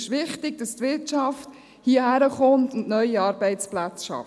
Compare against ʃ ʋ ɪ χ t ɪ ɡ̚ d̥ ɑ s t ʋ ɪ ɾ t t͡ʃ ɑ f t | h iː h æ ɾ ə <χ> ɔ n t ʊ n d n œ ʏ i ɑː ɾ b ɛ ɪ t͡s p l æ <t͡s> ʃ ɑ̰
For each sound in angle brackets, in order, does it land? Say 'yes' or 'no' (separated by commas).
yes, yes